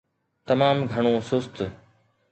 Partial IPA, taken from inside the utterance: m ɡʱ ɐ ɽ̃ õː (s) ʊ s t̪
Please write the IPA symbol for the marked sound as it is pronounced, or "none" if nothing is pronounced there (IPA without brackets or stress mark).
s